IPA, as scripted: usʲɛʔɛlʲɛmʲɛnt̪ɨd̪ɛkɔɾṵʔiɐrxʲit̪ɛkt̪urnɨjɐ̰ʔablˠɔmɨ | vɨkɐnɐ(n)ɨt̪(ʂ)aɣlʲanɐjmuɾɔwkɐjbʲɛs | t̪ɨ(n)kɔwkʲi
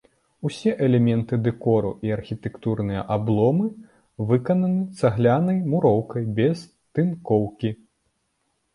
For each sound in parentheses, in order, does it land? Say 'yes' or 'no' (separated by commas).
yes, no, yes